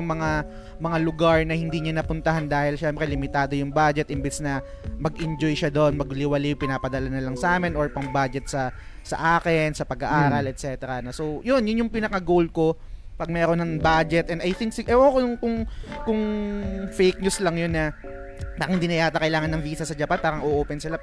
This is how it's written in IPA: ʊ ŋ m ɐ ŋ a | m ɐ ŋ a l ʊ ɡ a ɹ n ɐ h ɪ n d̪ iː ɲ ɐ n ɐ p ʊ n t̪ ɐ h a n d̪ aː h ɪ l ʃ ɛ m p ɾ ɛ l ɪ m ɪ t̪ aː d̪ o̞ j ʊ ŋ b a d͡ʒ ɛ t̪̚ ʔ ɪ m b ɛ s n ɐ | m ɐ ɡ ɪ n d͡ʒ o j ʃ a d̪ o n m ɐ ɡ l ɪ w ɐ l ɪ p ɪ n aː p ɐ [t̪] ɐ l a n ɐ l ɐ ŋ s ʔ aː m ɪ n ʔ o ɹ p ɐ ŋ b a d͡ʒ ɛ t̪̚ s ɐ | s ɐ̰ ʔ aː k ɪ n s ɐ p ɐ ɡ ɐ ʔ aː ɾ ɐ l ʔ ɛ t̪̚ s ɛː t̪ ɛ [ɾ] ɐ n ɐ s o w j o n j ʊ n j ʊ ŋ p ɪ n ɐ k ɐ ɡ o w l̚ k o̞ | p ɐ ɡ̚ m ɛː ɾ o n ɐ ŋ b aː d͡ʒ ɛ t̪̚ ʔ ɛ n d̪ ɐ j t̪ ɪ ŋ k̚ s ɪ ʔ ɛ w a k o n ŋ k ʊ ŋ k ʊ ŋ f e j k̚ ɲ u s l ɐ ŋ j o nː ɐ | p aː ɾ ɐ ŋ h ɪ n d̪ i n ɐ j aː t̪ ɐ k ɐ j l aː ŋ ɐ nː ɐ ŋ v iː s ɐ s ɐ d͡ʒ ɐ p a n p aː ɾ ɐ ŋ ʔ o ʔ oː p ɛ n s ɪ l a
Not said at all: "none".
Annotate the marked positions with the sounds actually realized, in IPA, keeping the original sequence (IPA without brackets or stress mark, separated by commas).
d̪, ɾ